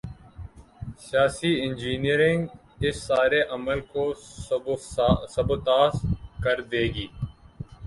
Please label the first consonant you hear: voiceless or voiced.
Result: voiceless